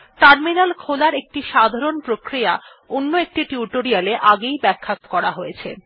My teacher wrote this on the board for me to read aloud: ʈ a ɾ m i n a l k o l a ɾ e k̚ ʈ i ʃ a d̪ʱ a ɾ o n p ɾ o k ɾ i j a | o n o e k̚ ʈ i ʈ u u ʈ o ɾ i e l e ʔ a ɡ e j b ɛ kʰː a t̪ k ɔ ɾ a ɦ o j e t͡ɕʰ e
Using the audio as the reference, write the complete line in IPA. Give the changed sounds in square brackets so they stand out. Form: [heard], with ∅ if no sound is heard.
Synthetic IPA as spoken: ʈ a ɾ m i n a l [kʰ] o l a ɾ e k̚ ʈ i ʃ a d̪ʱ a ɾ o n p ɾ o k ɾ i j a | o [nː] o e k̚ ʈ i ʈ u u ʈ o ɾ i [a] l e ʔ a ɡ e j b ɛ kʰː a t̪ k ɔ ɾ a ɦ o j e t͡ɕʰ e